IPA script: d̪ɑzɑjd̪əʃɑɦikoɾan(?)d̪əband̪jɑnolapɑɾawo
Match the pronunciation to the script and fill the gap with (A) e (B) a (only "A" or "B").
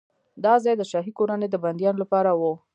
A